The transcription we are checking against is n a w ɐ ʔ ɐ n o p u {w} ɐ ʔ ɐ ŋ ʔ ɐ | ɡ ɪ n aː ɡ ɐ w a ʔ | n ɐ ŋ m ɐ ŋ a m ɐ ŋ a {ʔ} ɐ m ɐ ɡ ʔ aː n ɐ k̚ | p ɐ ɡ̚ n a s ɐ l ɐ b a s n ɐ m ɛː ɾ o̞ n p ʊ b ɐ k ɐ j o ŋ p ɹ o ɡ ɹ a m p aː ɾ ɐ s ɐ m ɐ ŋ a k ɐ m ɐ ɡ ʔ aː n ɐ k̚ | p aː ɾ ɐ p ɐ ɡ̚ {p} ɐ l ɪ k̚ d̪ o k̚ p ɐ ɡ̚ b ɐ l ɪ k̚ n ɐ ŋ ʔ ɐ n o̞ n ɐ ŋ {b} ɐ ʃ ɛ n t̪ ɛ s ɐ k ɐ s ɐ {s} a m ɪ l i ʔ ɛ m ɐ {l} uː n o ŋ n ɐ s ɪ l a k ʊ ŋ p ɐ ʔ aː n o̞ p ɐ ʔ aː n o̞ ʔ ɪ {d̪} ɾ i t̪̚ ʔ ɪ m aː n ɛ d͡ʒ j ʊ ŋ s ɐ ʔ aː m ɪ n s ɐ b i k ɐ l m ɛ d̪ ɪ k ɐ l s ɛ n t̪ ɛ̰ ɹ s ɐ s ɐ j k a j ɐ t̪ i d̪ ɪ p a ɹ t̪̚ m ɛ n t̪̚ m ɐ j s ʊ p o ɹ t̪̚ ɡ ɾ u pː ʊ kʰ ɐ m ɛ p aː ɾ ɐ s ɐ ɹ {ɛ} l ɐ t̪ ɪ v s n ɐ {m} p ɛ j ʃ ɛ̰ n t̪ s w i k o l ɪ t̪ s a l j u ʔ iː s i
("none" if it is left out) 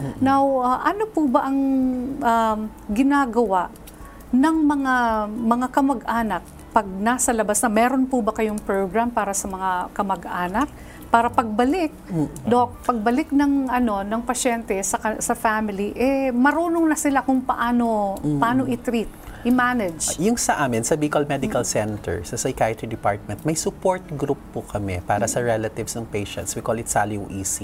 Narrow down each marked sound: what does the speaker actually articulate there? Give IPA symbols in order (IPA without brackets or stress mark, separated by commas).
b, k, b, p, f, ɾ, t̪, ɛ, ŋ